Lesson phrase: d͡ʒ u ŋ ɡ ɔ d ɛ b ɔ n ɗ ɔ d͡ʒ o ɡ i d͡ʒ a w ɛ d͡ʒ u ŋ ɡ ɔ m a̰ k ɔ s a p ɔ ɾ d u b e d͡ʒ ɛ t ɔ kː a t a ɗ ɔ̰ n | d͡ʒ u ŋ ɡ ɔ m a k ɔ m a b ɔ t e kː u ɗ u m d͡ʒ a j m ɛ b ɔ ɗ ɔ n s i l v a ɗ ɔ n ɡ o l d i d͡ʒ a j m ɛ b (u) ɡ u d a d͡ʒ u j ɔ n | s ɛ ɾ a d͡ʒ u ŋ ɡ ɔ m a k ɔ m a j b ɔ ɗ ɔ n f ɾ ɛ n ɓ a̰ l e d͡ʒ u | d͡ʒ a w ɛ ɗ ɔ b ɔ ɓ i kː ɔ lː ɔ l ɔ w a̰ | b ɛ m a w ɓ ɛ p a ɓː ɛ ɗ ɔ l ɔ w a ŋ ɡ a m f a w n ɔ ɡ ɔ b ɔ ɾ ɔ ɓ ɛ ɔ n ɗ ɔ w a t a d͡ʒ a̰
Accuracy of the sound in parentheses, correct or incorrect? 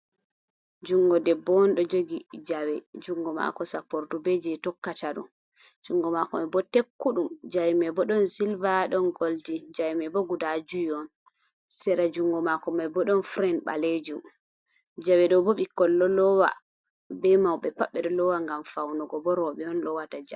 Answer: incorrect